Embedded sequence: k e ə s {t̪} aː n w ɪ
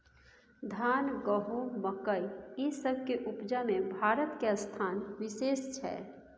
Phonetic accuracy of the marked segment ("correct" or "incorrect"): incorrect